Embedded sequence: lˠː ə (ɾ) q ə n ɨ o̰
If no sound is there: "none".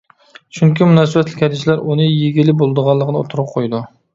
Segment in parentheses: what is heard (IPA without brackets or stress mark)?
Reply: none